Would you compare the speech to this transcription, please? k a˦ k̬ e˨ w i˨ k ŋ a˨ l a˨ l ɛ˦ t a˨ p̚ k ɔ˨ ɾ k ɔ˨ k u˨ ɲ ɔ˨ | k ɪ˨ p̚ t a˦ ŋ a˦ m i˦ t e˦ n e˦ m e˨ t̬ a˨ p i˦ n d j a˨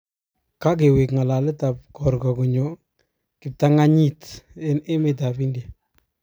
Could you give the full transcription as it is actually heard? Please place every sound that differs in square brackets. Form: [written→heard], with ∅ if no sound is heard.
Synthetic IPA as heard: k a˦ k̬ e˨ w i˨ k ŋ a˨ l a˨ l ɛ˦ t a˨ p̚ k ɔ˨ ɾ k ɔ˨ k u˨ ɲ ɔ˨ | k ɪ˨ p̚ t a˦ ŋ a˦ [m→ɲ] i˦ t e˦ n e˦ m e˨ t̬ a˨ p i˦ n d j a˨